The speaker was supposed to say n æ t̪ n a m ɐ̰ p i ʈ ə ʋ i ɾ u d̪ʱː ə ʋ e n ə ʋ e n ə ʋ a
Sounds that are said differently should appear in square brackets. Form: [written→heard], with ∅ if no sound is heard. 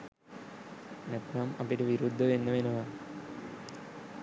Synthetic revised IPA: n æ t̪ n a m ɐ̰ p i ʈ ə ʋ i ɾ u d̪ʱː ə ʋ e [n→nː] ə ʋ e n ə ʋ a